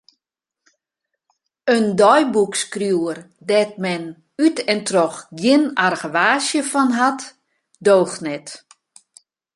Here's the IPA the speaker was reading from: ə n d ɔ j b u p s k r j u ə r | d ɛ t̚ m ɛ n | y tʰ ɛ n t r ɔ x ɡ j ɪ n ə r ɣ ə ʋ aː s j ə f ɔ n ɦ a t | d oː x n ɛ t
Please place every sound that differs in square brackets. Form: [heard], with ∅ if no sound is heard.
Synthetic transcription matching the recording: ə n d ɔ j b u [k] s k r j u ə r | d ɛ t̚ m ɛ n | y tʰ ɛ n t r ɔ x ɡ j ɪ n [a] r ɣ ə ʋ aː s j ə f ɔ n ɦ a t | d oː x n ɛ t